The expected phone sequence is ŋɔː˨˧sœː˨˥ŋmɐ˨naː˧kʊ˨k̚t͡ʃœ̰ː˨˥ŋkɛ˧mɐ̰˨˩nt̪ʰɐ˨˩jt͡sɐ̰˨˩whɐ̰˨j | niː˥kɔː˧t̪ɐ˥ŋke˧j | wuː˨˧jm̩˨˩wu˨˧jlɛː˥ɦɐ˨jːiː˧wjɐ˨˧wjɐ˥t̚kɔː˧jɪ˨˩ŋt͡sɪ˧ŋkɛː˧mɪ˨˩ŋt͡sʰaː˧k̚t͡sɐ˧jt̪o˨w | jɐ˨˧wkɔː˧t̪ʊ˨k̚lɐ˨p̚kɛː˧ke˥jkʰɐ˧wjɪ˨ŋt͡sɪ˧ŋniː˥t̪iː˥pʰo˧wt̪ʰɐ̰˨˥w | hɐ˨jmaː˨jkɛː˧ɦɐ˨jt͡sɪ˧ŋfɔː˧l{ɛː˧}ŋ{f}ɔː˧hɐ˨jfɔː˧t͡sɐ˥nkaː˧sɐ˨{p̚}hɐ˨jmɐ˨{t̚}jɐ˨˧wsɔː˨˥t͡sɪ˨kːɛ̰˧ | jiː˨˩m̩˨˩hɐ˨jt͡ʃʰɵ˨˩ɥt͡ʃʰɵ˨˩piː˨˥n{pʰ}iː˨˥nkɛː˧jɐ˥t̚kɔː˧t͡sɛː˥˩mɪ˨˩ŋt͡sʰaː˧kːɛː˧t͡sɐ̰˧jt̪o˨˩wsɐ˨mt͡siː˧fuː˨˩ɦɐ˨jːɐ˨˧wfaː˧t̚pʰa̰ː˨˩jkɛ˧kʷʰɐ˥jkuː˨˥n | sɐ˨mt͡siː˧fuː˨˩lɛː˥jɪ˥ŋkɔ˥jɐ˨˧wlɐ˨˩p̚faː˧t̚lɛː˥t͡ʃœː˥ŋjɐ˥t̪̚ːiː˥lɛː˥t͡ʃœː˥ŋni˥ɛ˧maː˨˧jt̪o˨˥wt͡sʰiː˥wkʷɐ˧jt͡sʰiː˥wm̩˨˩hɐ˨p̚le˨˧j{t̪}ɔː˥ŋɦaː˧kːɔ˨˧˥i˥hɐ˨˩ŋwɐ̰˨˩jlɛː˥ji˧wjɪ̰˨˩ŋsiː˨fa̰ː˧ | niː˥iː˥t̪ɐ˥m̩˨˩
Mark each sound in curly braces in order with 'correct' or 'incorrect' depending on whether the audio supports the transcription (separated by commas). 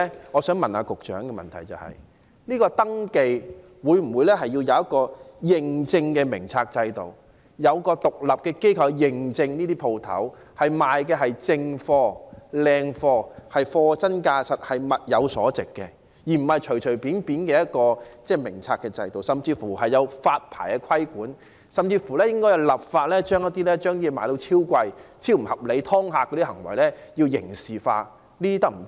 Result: correct, correct, incorrect, correct, incorrect, incorrect